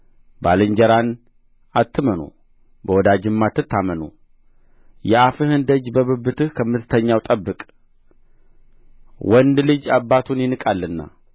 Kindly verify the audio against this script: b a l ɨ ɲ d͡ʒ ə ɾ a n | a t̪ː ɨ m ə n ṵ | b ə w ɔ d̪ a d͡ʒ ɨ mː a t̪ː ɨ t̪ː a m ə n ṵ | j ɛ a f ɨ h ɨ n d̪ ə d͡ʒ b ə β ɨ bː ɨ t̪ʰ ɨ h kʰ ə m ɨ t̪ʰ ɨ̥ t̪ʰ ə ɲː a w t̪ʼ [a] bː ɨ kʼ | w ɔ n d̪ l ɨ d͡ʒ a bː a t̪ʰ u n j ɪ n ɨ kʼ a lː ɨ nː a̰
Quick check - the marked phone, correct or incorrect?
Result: incorrect